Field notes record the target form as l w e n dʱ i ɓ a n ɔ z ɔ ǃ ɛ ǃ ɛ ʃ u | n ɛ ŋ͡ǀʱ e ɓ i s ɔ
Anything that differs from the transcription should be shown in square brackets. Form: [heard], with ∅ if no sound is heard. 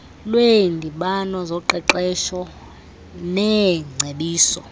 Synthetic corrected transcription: l w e n dʱ i ɓ a n ɔ z ɔ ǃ ɛ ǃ ɛ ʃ [ɔ] | n ɛ ŋ͡ǀʱ e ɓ [iː] s ɔ